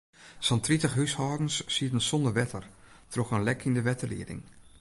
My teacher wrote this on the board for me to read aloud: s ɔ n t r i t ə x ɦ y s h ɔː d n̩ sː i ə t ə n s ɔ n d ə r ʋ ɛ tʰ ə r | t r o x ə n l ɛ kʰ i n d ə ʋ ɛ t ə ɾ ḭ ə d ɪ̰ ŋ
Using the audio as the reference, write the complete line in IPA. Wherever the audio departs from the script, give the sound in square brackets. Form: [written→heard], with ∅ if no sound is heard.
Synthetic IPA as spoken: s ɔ n t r i t ə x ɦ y s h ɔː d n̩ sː i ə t ə n s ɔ n d ə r ʋ ɛ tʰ ə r | t r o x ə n l ɛ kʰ i n d ə ʋ ɛ t ə [ɾ→l] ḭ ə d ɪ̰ ŋ

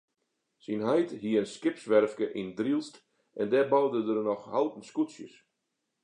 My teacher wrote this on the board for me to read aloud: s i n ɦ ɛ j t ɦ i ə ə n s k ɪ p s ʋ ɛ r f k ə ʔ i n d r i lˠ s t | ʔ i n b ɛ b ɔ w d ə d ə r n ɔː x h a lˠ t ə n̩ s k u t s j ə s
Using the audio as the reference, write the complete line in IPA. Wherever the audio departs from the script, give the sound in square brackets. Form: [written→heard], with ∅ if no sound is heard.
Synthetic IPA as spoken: s i n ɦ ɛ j t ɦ i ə ə n s k ɪ p s ʋ ɛ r f k ə ʔ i n d r i lˠ s t | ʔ [i→ɛ] n [b→d] ɛ b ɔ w d ə d ə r n [ɔː→ɔ] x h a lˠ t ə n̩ s k u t s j ə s

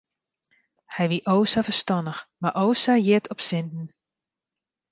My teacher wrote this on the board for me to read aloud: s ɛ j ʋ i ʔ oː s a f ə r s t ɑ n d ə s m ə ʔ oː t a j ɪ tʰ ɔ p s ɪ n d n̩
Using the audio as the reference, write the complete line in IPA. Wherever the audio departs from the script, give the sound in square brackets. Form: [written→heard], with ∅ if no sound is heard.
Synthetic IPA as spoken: [s→h] ɛ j ʋ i ʔ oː s a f ə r s t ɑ n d ə [s→x] m [ə→a] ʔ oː [t→s] a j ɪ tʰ ɔ p s ɪ n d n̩

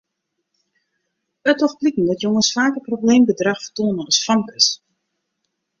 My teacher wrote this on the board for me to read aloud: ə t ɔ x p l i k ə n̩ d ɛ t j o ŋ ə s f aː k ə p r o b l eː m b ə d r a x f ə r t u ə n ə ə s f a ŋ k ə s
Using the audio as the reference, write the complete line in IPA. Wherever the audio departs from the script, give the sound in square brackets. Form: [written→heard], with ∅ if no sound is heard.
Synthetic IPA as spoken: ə t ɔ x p l i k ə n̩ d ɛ t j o ŋ ə s f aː k ə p r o b l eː m b ə d r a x f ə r t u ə n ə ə s f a ŋ k ə s

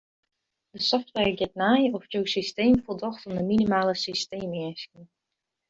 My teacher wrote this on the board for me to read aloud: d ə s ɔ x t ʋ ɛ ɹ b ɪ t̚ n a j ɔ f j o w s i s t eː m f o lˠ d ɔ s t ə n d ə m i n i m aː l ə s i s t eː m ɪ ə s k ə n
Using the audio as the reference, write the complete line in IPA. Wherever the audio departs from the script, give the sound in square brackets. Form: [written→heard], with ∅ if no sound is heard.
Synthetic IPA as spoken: d ə s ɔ [x→f] t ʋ ɛ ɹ [b→ɡ] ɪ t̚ n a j ɔ f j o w s i s t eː m f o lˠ d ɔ [s→x] t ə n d ə m i n i m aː l ə s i s t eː m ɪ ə s k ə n

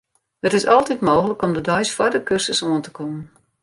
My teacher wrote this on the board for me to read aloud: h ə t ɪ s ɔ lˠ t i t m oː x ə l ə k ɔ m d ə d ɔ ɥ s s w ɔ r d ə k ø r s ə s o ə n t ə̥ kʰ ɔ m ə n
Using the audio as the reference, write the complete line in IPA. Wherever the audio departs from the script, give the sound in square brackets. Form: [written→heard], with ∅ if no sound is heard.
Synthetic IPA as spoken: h ə t ɪ s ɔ lˠ t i t m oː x ə l ə k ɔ m d ə d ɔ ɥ s [s→f] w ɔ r d ə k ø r s ə s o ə n t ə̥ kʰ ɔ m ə n

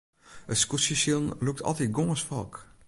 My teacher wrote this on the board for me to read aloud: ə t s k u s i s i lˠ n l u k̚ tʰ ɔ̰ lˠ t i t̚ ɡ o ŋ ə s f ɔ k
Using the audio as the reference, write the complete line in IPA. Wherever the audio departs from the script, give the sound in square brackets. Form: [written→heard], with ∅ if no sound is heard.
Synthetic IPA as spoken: ə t s k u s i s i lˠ n l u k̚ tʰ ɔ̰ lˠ t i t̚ ɡ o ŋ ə s f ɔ k

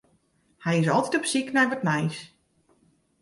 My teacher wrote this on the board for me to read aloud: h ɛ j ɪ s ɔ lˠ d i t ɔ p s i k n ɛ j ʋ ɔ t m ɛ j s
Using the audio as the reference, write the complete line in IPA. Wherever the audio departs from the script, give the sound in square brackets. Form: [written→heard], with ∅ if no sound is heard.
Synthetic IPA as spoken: h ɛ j ɪ s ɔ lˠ [d→t] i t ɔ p s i k n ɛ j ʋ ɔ t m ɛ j s

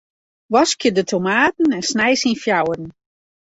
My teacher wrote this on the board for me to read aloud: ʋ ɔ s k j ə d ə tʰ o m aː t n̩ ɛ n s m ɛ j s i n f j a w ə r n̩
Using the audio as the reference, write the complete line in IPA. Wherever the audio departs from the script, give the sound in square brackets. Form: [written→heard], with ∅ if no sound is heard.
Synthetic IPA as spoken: ʋ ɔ s k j ə d ə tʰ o m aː t n̩ ɛ n s [m→n] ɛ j s i n f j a w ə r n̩

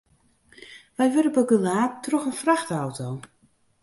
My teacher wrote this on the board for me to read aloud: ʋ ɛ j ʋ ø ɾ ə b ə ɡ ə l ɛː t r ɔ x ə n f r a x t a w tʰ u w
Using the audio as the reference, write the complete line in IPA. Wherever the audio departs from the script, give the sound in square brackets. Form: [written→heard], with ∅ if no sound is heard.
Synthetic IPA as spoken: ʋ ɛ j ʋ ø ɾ ə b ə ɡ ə l [ɛː→aː] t r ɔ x ə n f r a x t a w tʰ [u→o] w

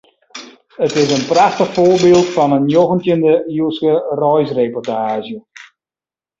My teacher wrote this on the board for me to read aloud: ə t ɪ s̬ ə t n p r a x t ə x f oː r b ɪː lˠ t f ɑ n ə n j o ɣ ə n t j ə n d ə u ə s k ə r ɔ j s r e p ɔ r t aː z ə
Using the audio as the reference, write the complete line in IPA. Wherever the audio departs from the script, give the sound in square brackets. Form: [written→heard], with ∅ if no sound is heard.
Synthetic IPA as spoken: ə t ɪ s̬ ə [t→∅] n p r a x t ə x f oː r b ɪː lˠ t f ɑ n ə n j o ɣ ə n t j ə n d ə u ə s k ə r ɔ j s r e p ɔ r t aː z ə

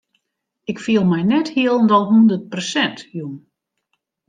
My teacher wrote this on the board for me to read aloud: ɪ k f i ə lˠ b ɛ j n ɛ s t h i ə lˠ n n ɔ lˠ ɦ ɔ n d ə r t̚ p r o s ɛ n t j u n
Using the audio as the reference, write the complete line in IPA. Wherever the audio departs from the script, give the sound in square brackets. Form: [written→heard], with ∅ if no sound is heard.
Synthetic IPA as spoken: ɪ k f i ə lˠ [b→m] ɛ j n ɛ [s→∅] t h i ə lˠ n [n→d] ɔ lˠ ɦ [ɔ→u] n d ə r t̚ p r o s ɛ n t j u n

